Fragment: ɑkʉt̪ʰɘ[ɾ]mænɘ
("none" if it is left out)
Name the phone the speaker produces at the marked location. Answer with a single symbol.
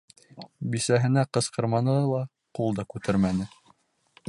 ɾ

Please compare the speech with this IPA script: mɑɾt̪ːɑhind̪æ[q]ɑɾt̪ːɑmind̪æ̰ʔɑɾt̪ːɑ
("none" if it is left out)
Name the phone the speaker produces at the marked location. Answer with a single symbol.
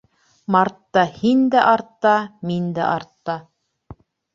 ʔ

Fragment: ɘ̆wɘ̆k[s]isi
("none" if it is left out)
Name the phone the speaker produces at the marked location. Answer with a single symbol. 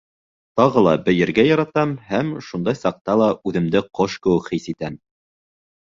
χ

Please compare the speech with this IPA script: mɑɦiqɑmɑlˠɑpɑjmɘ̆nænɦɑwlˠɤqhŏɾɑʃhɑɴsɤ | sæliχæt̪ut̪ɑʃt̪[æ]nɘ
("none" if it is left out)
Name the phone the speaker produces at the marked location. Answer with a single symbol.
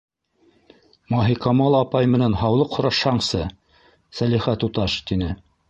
i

